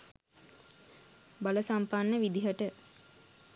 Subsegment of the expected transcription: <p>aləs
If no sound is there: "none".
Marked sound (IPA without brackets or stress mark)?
b